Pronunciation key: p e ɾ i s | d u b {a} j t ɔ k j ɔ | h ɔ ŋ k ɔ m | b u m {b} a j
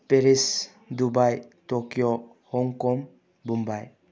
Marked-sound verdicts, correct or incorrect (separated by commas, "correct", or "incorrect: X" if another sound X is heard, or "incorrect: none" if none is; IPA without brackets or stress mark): correct, correct